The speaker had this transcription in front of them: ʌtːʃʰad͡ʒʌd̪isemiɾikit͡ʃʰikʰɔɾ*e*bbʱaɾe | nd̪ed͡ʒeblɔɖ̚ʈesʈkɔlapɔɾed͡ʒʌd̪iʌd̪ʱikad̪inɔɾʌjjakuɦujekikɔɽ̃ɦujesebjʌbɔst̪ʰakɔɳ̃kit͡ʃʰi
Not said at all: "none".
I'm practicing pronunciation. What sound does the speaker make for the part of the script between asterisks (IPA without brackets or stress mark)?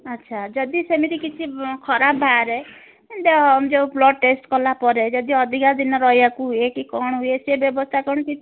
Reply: a